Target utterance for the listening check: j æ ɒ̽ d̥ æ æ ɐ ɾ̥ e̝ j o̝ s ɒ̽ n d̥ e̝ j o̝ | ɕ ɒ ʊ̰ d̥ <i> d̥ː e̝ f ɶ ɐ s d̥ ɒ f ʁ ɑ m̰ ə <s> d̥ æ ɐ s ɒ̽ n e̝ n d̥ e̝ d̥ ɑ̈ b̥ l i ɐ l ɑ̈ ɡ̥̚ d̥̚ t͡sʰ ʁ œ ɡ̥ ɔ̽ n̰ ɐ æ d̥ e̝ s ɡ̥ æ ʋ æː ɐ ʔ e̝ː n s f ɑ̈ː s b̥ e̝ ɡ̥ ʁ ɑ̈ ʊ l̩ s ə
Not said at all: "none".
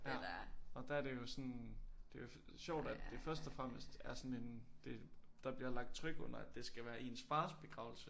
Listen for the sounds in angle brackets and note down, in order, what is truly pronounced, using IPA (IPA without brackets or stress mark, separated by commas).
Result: æ, s